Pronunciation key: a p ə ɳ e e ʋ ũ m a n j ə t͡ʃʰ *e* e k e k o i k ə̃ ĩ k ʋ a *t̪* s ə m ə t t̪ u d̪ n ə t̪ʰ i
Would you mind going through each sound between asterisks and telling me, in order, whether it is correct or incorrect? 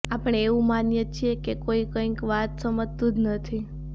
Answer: incorrect, correct

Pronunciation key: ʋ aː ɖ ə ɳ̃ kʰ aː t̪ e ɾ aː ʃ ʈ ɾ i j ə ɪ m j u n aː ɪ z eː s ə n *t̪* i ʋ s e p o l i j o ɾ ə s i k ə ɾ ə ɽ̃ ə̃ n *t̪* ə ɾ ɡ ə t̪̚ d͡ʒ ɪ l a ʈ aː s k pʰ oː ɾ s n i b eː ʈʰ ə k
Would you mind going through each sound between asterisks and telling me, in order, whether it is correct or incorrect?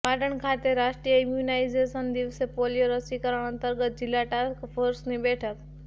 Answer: incorrect, correct

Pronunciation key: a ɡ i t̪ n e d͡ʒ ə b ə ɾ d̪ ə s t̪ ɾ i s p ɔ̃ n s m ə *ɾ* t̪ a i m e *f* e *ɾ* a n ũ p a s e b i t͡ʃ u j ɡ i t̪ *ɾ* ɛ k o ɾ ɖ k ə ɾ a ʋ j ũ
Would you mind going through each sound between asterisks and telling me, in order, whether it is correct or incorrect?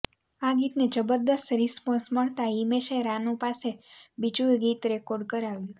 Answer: incorrect, incorrect, correct, correct

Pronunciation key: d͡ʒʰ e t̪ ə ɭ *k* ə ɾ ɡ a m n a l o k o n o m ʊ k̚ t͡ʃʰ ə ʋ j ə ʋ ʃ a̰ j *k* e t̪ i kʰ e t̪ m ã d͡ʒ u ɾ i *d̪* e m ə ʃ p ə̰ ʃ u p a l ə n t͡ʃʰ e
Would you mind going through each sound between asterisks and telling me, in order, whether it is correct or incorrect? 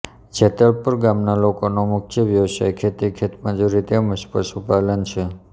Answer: incorrect, incorrect, incorrect

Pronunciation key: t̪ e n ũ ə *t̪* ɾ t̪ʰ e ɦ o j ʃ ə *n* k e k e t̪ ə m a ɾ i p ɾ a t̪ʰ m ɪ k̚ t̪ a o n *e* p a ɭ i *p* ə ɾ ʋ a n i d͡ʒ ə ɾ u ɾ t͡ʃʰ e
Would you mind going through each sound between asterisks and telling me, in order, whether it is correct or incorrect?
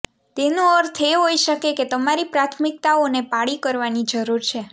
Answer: incorrect, incorrect, correct, incorrect

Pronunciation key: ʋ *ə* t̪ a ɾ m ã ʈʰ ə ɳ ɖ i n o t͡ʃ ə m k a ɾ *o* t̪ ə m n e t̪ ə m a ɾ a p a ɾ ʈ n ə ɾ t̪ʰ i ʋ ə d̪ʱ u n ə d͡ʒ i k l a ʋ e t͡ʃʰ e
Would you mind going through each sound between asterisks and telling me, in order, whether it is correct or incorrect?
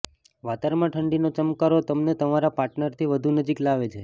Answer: incorrect, correct

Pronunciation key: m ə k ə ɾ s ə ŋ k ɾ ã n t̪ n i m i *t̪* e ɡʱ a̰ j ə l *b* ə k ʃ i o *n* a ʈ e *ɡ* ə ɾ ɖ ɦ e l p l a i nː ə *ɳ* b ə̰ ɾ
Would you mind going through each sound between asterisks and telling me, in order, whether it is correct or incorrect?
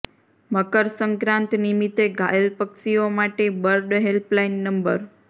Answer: correct, incorrect, incorrect, incorrect, incorrect

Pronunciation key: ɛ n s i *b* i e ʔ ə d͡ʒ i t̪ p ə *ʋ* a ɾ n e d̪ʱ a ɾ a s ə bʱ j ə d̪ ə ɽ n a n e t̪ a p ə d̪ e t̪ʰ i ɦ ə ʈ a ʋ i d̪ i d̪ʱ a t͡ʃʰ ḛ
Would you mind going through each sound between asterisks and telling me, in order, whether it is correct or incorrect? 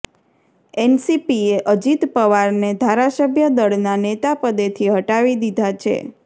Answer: incorrect, correct

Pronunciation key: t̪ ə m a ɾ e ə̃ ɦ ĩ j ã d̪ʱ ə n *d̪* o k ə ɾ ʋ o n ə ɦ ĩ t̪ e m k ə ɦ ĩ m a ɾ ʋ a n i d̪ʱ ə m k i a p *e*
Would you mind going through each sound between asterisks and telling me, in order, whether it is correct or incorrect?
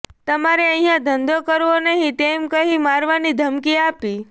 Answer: correct, incorrect

